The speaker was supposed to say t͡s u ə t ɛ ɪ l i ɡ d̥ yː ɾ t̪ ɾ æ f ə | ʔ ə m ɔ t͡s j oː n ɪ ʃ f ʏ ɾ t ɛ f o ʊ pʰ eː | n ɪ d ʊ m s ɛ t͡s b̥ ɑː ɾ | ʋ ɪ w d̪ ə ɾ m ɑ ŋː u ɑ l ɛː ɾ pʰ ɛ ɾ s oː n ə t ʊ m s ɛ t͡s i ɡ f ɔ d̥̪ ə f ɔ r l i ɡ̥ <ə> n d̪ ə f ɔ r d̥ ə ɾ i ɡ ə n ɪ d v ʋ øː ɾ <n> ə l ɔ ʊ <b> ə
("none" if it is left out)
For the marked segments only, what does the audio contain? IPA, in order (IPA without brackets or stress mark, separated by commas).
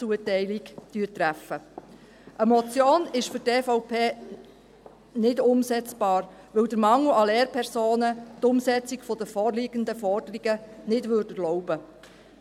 ə, d, b